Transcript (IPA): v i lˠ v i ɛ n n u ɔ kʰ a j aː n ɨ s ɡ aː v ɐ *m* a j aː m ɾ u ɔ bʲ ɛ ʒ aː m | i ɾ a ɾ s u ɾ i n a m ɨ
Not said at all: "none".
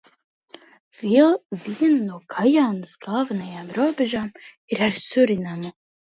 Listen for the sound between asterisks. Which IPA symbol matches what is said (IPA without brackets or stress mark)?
n